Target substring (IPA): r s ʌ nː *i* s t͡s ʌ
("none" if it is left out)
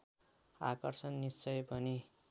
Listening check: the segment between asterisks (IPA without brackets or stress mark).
i